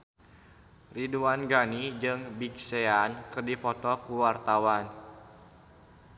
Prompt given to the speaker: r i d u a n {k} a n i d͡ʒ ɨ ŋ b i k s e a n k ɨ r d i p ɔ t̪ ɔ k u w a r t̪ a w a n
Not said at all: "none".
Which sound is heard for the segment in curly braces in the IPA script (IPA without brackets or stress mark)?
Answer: ɡ